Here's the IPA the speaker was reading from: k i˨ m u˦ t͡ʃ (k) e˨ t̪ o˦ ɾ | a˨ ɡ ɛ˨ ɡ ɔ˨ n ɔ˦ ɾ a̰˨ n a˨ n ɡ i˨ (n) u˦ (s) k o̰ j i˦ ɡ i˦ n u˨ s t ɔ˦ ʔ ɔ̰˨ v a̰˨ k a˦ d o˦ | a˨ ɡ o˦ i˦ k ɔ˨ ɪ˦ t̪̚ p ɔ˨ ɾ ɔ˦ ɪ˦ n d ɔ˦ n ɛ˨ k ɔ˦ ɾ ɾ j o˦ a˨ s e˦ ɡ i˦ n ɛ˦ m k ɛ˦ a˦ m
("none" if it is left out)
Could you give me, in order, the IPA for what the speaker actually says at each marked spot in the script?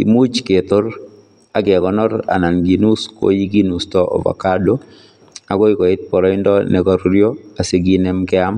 k, n, s

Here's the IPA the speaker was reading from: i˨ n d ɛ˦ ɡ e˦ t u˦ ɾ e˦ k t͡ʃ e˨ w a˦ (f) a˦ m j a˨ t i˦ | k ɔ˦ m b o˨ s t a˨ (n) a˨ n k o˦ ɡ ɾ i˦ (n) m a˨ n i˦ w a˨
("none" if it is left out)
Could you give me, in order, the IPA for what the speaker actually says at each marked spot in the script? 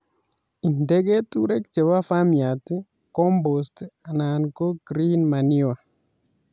f, n, n

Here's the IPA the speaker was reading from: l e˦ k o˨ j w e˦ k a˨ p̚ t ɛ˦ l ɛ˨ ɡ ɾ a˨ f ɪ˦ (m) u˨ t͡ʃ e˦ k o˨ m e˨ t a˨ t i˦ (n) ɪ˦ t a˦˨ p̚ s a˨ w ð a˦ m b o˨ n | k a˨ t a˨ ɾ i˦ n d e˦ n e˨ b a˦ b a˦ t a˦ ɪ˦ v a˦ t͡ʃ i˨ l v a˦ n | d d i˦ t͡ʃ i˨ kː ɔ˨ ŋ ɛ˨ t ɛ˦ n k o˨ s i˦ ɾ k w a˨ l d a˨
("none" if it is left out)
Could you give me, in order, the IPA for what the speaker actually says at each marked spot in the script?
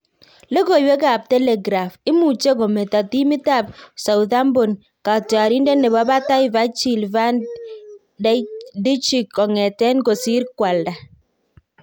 m, m

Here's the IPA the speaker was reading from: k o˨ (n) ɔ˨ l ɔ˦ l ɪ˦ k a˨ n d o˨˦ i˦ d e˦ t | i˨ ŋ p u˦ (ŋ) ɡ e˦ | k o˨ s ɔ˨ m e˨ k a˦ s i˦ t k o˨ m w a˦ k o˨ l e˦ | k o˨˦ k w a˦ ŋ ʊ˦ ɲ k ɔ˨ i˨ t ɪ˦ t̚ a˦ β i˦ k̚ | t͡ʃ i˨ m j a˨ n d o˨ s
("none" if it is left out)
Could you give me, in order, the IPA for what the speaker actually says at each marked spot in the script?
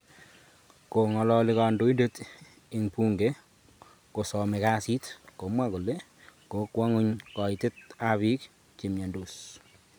ŋ, ŋ

